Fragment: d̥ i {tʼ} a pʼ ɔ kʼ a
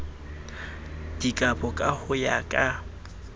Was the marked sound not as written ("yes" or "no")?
yes